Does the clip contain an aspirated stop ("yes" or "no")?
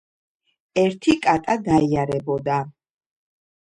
yes